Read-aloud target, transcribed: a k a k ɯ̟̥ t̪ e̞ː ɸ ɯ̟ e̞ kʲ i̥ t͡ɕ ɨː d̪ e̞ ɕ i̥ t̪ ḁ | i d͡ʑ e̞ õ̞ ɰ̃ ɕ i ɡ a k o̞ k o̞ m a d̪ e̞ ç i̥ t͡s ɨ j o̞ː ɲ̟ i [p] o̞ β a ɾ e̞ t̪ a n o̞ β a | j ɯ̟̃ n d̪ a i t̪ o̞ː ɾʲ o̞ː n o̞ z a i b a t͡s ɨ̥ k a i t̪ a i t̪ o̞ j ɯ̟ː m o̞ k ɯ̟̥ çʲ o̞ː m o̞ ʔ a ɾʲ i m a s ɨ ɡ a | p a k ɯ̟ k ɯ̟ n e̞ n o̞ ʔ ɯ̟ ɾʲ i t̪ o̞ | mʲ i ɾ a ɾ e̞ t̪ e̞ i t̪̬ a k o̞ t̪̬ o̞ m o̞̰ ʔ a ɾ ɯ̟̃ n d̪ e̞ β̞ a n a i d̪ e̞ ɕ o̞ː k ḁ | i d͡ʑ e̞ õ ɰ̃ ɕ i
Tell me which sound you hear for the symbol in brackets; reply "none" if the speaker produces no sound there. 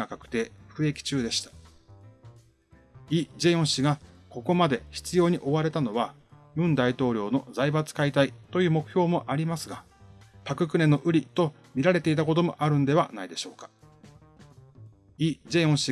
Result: ʔ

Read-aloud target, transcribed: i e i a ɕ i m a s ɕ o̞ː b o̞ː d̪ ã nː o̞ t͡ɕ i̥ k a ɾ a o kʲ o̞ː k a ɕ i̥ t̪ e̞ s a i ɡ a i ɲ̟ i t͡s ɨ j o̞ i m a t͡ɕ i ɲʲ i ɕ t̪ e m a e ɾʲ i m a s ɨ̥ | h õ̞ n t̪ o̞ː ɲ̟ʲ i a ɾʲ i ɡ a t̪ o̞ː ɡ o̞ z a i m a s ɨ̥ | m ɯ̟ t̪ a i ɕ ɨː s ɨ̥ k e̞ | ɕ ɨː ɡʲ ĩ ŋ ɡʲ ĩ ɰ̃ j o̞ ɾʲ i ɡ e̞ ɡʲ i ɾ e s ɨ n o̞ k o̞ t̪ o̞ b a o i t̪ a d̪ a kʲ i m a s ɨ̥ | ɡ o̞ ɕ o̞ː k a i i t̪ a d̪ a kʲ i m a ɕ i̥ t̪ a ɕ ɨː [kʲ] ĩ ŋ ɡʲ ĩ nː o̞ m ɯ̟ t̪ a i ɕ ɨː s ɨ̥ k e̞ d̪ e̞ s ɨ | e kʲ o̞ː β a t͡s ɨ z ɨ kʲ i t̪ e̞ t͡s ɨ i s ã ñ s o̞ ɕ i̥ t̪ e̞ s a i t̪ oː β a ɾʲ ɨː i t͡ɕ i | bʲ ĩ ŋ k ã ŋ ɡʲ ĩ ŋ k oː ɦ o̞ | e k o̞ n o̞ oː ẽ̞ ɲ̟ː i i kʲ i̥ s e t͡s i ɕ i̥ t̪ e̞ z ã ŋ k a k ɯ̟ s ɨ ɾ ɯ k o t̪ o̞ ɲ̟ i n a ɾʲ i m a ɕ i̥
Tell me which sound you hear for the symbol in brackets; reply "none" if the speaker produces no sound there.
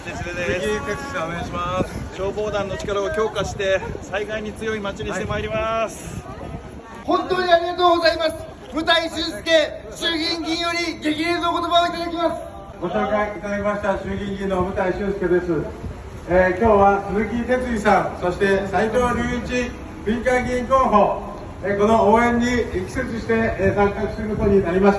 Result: ɡʲ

